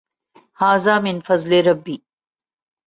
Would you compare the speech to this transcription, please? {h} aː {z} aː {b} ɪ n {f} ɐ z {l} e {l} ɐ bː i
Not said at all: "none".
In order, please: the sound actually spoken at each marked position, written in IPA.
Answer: h, z, m, f, l, ɾ

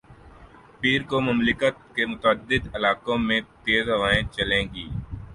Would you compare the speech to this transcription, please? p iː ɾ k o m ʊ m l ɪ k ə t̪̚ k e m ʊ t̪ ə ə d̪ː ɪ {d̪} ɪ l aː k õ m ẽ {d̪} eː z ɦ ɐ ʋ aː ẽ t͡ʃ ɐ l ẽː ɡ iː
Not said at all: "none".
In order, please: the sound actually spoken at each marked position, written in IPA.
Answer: d̪, t̪

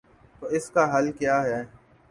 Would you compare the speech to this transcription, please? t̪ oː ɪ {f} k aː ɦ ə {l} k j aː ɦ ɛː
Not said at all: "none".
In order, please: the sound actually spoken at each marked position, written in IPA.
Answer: s, l

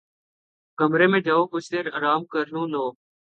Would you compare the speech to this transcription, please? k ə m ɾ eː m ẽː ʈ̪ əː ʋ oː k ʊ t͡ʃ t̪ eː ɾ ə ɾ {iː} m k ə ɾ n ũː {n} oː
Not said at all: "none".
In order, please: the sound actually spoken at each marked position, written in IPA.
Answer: aː, n

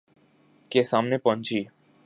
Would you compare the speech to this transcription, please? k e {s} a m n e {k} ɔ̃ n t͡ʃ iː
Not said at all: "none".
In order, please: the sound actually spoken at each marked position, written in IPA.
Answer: s, p

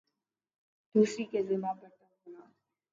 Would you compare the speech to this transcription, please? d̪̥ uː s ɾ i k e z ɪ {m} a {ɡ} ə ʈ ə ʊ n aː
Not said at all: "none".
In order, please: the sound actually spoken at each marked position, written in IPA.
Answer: m, b

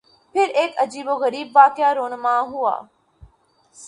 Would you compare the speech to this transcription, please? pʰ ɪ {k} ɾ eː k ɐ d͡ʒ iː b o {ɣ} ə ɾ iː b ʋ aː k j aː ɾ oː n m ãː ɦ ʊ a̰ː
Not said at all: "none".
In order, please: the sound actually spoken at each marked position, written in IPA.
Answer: none, ɣ

